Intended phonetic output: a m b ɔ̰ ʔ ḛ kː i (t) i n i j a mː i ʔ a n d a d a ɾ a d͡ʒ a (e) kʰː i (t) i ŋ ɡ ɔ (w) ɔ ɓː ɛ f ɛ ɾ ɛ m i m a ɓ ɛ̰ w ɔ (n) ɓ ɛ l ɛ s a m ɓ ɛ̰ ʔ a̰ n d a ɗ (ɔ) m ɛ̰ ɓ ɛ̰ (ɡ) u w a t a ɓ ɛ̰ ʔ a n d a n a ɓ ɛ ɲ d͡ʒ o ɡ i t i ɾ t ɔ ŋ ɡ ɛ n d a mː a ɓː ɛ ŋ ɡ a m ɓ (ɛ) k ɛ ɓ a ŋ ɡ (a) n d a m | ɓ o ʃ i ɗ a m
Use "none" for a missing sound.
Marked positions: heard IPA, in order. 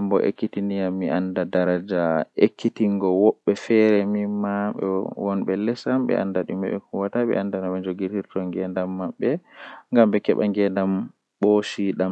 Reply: t, e, t, w, n, u, k, ɛ, ɛ

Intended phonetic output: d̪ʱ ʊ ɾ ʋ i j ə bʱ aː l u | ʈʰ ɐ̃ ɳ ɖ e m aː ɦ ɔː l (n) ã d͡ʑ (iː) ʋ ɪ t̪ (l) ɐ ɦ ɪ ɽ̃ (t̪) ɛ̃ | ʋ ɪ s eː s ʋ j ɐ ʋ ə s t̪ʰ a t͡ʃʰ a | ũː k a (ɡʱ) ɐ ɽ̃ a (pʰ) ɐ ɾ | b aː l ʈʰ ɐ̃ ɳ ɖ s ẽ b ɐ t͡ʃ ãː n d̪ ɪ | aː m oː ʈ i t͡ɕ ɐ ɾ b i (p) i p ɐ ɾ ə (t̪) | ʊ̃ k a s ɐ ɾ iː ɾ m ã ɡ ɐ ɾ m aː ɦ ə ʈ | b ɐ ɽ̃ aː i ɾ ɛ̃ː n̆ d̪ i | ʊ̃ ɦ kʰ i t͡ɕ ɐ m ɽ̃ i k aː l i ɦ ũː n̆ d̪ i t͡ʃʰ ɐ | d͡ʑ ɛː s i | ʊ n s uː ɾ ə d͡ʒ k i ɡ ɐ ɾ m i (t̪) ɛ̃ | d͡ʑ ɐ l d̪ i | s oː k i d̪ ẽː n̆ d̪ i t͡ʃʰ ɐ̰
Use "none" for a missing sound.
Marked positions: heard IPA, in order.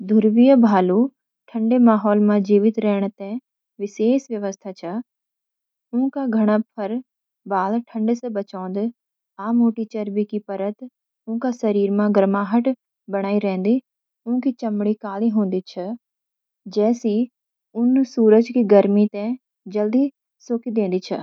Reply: m, iː, ɾ, t̪, ɡʱ, pʰ, k, t̪, t̪

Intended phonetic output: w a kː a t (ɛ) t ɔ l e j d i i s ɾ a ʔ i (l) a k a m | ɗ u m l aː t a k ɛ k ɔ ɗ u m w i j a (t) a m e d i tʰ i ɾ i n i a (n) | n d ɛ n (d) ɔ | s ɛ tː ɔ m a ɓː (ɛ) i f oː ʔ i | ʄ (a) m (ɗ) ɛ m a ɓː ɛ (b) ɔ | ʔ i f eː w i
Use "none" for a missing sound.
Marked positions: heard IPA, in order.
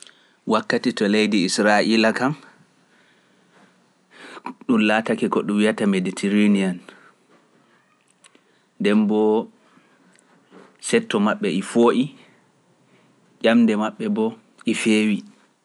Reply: i, l, t, n, b, ɛ, a, d, b

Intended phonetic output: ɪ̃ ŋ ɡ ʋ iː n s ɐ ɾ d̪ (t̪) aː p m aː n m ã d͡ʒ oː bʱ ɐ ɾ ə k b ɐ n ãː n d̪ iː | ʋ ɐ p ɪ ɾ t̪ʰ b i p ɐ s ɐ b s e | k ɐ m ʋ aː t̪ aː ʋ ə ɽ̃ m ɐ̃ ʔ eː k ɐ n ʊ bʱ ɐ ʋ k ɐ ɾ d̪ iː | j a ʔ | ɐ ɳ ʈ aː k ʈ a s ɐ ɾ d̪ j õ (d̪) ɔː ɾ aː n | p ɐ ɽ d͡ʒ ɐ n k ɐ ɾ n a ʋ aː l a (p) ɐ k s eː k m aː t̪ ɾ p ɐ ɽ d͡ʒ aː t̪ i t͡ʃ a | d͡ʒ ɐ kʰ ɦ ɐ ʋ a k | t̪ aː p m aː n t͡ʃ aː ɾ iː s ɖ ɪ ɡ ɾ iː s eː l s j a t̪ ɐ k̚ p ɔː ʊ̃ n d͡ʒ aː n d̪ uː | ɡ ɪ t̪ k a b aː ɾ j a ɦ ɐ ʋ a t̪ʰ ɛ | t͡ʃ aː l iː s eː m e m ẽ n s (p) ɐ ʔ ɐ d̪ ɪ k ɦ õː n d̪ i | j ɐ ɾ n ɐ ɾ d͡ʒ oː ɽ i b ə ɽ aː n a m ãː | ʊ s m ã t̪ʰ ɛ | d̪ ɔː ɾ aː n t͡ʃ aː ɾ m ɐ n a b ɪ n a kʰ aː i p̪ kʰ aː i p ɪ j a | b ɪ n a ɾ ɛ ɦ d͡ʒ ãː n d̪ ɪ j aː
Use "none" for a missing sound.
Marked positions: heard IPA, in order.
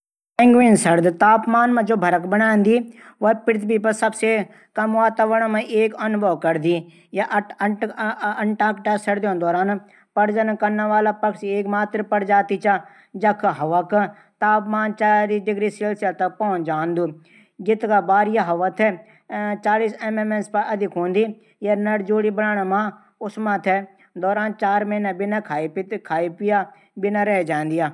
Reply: t̪, d̪, p, p

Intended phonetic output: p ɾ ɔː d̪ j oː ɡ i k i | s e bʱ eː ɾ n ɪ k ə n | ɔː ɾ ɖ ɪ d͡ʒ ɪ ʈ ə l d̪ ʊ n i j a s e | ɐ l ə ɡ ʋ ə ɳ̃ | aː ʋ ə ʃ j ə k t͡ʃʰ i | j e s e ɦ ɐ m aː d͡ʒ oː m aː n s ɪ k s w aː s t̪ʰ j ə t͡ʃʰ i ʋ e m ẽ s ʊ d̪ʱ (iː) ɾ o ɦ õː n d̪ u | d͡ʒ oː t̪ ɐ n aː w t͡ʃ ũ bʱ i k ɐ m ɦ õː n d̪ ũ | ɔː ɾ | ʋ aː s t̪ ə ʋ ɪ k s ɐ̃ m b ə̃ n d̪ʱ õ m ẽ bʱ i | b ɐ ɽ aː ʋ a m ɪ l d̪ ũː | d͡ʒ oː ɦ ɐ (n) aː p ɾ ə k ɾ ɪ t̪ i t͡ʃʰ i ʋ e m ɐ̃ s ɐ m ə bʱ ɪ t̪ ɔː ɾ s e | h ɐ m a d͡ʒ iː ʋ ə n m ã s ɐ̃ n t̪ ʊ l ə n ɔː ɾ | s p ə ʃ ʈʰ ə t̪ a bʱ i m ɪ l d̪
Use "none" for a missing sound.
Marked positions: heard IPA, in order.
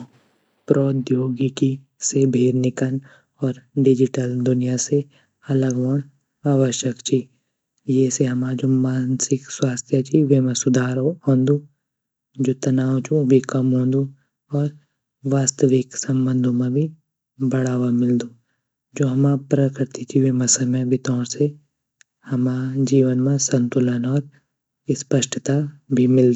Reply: aː, m

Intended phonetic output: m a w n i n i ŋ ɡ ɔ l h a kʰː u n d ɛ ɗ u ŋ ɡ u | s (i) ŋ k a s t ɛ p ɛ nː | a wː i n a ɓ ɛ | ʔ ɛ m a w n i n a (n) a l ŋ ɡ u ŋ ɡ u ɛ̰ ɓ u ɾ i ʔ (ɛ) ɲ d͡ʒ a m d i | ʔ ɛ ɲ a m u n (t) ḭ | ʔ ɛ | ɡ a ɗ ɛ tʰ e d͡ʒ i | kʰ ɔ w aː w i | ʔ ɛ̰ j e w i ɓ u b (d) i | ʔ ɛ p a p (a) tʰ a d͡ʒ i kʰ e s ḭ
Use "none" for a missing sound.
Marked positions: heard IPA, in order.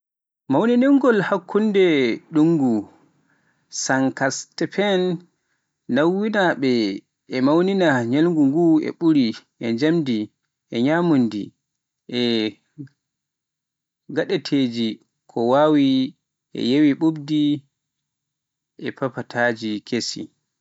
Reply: a, ɲ, ɛ, d, d, a

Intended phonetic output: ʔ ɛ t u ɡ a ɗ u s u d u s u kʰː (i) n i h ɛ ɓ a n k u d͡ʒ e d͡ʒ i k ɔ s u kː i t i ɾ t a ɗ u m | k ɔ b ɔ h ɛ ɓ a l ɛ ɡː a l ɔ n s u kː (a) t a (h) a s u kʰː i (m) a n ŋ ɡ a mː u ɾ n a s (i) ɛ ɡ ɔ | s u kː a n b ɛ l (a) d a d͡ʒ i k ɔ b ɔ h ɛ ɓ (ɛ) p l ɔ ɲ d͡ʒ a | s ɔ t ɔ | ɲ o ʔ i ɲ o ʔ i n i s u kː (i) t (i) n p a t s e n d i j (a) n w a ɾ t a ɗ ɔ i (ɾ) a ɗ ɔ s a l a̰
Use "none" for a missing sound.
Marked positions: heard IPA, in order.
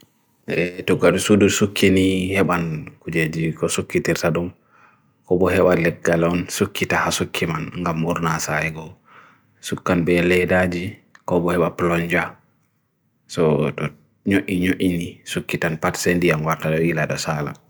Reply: i, i, h, m, a, ɛ, a, i, a, a, l

